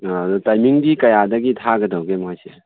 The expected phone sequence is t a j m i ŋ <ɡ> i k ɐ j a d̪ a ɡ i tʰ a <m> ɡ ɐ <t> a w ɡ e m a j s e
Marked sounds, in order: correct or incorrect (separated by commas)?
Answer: incorrect, incorrect, incorrect